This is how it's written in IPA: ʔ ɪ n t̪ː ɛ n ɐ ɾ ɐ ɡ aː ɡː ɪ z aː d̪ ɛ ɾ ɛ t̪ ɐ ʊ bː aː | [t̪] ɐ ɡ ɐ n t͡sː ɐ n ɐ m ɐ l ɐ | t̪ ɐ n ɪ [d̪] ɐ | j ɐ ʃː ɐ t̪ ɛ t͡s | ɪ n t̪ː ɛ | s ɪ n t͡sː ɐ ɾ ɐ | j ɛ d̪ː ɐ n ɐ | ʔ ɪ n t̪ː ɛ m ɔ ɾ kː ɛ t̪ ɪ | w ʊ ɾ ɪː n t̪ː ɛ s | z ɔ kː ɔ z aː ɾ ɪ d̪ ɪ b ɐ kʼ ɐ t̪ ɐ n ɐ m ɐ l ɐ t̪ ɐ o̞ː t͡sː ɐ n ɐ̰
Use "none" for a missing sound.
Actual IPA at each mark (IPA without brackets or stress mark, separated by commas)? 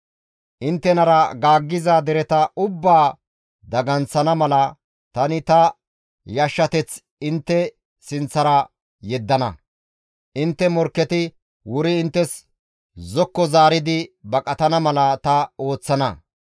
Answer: d̪, t̪